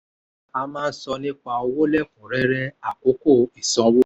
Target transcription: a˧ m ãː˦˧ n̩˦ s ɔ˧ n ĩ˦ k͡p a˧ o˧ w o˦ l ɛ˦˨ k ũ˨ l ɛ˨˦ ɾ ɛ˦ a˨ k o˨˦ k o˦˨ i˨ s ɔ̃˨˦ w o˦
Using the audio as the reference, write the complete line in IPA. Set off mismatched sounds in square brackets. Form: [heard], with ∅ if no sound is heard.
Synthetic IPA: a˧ m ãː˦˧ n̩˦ s ɔ˧ n ĩ˦ k͡p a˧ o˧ w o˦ l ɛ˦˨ k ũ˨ [ɾ] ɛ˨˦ ɾ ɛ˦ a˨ k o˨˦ k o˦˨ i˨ s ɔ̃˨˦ w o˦